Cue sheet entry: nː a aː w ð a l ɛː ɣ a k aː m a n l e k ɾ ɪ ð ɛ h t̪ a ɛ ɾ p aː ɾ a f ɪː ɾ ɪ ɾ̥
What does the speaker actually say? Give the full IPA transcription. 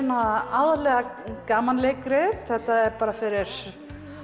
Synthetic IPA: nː a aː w ð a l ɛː ɣ a k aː m a n l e k ɾ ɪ θ ɛ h t̪ a ɛ ɾ p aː ɾ a f ɪ ɾ ɪ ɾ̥